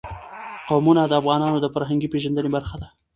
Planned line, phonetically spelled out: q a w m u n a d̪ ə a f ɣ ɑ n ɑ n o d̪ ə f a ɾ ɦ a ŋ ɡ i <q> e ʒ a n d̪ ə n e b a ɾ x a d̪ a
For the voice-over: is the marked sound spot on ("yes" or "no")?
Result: no